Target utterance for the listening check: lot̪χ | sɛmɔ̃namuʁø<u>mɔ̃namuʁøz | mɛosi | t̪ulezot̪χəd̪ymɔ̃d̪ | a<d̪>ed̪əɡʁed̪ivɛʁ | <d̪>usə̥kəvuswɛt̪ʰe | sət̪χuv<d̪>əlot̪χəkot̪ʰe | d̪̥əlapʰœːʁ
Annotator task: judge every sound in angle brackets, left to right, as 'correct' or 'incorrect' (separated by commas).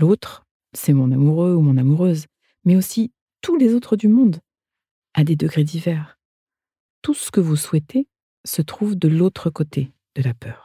correct, correct, incorrect, correct